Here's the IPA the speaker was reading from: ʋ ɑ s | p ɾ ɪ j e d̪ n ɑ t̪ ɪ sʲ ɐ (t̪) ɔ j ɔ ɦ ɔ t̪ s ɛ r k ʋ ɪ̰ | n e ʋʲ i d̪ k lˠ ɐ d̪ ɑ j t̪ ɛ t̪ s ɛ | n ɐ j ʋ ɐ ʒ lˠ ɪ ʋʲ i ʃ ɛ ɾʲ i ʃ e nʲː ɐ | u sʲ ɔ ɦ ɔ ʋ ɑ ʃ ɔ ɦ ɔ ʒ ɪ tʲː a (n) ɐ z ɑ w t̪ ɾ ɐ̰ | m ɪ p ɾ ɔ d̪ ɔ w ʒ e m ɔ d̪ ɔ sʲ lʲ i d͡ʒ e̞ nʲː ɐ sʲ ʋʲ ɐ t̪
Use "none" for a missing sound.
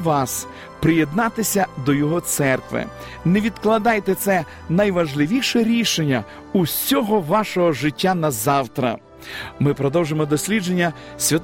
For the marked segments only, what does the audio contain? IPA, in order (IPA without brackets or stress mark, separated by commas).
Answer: d̪, n